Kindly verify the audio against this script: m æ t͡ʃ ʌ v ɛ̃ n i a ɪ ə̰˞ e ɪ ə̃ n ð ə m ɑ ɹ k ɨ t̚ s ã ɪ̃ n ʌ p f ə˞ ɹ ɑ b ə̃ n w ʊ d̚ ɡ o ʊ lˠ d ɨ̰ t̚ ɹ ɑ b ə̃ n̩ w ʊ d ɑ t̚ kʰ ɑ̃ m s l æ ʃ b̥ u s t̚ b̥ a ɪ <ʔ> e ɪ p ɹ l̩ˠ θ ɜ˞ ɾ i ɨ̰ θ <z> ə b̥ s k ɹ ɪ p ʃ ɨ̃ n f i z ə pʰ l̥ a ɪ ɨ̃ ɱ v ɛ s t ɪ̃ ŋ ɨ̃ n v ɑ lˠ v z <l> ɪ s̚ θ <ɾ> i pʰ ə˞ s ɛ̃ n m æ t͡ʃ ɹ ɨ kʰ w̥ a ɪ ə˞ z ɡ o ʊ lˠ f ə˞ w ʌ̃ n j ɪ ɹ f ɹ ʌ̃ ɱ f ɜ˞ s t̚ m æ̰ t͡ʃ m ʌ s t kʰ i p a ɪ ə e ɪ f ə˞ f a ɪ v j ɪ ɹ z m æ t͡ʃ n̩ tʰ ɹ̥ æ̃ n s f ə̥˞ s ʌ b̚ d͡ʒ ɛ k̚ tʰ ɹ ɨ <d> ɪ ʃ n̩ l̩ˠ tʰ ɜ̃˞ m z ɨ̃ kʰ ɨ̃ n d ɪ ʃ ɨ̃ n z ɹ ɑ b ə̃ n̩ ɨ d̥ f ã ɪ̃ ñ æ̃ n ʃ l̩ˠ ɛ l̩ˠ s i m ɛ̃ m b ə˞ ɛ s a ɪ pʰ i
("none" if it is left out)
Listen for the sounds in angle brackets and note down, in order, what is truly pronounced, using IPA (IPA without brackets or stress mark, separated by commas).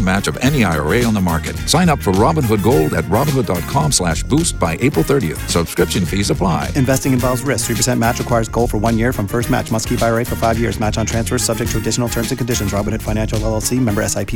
ʔ, s, ɹ, ɹ, d